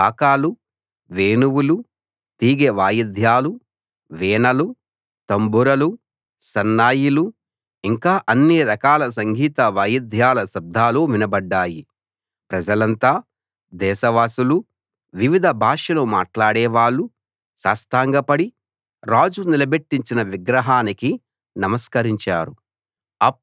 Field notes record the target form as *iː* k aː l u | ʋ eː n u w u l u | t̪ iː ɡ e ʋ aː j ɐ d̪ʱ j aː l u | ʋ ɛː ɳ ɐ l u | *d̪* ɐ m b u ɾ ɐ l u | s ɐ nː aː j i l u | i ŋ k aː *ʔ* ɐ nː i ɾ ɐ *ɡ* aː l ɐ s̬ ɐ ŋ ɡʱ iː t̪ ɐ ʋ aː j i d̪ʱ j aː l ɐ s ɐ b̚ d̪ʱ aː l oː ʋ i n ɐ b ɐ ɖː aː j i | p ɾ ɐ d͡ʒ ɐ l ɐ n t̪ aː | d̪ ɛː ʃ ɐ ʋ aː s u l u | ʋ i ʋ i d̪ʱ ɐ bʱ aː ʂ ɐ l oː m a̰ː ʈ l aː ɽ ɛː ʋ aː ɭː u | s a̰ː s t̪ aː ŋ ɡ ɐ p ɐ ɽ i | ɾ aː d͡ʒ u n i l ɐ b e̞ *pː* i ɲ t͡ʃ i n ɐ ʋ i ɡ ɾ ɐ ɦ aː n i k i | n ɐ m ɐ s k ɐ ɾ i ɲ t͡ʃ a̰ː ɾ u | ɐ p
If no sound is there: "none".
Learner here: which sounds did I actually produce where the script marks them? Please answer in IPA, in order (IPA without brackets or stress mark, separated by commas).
aː, t̪, ʔ, k, ʈː